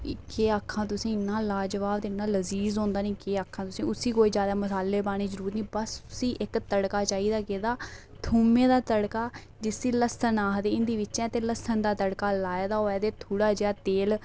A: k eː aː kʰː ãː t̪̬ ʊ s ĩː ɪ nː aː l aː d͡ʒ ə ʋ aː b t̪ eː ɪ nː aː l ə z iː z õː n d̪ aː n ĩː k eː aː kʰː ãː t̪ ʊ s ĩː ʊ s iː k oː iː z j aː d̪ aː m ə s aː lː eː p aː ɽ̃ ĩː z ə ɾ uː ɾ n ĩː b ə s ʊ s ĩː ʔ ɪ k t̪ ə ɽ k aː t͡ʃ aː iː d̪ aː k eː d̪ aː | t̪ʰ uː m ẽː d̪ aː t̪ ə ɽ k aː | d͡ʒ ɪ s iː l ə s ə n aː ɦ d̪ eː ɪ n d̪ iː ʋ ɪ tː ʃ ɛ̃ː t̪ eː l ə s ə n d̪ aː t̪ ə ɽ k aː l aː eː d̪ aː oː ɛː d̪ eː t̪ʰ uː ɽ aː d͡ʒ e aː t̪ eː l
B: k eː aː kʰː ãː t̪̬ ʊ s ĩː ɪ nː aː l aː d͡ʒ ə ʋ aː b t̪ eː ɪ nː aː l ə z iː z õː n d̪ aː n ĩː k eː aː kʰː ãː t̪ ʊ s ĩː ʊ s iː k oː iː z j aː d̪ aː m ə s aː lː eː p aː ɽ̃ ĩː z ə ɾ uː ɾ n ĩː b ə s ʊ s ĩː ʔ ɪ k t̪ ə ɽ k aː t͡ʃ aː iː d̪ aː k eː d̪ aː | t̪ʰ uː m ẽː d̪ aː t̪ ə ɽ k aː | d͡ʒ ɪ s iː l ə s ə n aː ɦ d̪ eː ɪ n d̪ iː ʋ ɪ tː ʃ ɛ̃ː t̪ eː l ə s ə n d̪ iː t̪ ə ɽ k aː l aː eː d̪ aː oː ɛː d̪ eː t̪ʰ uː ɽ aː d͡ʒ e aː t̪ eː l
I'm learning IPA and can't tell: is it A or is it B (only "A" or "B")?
A